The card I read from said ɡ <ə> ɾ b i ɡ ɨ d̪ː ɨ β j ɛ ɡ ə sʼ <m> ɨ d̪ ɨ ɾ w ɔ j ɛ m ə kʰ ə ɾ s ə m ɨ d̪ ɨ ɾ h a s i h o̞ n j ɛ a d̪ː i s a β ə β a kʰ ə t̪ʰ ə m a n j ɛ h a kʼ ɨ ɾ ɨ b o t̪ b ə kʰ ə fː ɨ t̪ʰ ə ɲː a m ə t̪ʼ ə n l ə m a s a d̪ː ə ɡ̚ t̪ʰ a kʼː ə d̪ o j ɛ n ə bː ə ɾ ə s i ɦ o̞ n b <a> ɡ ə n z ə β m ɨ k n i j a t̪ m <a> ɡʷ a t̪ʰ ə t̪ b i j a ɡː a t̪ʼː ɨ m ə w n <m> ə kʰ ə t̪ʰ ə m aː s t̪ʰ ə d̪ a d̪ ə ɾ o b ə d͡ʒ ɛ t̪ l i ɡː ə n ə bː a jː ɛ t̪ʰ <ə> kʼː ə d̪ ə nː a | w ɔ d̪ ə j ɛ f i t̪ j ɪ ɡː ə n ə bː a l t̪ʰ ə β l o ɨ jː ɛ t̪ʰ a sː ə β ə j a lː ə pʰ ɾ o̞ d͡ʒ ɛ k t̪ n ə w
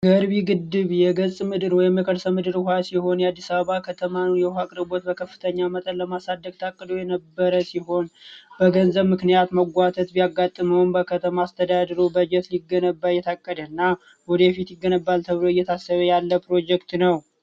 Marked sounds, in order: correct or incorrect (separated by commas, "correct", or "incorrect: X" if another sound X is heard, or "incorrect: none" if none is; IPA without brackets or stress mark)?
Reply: correct, correct, incorrect: ə, incorrect: ə, incorrect: b, incorrect: a